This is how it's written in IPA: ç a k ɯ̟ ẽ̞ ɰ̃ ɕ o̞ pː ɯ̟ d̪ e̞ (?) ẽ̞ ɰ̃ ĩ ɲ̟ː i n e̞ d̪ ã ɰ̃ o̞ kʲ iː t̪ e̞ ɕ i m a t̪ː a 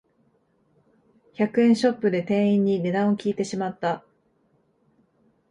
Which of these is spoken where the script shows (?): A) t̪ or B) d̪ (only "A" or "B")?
A